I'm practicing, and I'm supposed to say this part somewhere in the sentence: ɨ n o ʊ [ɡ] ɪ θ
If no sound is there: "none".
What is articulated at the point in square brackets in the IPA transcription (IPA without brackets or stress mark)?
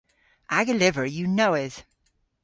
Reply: none